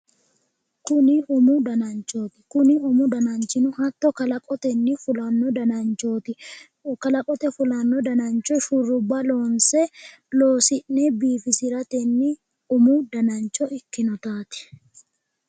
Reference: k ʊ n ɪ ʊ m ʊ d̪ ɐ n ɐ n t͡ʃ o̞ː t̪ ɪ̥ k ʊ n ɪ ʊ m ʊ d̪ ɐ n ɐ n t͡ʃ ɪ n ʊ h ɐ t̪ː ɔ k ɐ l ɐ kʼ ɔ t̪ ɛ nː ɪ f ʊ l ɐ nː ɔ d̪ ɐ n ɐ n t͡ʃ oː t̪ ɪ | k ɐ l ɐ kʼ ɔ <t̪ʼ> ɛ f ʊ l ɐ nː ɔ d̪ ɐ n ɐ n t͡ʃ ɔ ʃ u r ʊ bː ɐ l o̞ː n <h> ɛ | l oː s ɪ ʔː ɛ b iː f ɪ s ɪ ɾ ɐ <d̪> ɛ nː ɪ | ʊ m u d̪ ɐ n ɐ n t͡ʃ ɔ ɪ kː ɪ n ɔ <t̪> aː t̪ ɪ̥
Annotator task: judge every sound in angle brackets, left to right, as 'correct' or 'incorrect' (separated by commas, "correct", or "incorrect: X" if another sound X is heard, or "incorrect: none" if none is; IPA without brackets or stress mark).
incorrect: t̪, incorrect: s, incorrect: t̪, correct